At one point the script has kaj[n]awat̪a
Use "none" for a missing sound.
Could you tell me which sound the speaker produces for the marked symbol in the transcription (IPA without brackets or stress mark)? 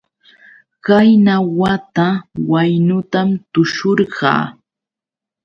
n